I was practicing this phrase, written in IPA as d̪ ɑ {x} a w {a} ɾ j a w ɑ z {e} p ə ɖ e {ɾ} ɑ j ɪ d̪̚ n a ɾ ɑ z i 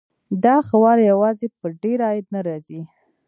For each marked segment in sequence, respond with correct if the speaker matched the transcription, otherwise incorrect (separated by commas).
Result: correct, incorrect, correct, correct